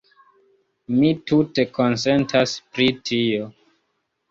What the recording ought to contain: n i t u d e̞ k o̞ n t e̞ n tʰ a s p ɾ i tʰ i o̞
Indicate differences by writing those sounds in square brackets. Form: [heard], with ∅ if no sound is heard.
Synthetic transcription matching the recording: [m] i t u [t] e̞ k o̞ n [s] e̞ n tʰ a s p ɾ i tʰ i o̞